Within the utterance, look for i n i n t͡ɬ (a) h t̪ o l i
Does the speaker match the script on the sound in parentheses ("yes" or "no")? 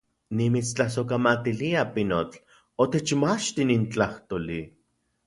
yes